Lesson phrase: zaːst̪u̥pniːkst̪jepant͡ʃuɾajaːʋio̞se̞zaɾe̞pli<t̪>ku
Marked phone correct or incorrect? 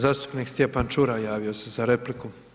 incorrect